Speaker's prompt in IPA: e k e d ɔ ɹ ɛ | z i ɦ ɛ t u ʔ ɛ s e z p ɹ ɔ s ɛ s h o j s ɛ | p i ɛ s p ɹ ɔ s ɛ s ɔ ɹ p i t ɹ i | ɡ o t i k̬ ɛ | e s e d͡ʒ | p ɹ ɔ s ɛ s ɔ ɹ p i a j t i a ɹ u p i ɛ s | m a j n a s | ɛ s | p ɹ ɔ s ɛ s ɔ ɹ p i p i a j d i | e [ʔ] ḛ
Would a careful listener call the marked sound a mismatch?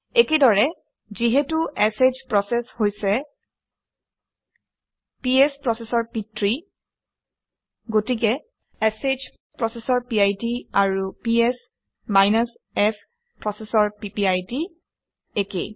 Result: yes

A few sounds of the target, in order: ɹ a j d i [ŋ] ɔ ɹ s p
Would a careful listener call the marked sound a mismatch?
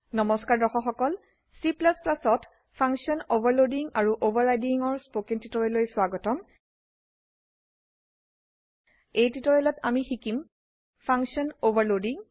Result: no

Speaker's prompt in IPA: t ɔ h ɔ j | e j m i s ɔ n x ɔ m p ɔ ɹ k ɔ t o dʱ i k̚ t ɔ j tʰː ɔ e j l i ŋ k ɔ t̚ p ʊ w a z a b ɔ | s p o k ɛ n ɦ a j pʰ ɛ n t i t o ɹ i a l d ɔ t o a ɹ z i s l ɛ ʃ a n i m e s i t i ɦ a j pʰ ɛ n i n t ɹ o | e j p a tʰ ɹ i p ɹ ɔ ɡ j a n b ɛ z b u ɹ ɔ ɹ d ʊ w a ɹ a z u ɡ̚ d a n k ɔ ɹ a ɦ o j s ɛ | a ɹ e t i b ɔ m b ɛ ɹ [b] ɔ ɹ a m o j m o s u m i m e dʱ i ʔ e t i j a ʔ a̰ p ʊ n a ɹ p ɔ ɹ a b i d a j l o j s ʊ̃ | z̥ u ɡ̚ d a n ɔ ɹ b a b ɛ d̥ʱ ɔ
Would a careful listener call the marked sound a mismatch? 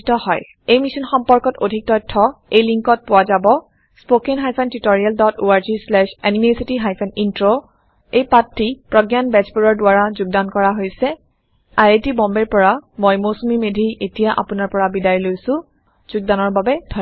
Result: yes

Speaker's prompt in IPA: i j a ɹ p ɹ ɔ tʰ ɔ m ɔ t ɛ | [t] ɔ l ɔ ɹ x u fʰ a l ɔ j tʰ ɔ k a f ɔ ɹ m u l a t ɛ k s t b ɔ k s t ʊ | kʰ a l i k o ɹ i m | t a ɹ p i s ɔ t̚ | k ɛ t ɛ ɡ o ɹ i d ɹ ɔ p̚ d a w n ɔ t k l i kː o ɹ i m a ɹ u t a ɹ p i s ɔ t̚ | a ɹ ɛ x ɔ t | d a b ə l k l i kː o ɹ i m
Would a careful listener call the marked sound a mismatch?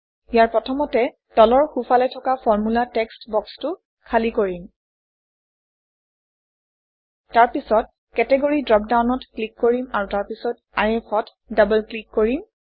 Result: no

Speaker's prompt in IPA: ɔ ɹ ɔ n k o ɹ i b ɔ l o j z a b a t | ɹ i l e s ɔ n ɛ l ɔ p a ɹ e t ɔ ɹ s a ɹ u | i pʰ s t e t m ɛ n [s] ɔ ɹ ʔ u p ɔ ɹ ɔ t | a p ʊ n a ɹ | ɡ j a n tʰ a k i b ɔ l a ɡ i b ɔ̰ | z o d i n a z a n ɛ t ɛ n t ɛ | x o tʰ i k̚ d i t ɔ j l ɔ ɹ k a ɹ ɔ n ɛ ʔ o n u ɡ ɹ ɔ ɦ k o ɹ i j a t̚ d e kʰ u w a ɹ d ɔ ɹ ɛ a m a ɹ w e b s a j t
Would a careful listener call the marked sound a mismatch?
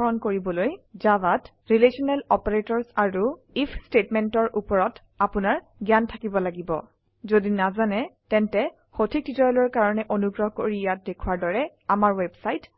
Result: yes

